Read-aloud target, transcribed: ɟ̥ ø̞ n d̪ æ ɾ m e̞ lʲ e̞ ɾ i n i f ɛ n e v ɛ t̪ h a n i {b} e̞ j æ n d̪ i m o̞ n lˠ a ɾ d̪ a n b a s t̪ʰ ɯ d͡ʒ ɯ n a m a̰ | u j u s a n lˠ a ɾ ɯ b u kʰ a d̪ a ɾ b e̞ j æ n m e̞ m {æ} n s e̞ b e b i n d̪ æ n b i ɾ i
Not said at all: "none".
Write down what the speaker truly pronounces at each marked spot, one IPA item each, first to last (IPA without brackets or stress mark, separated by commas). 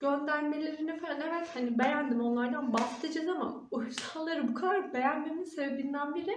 b, i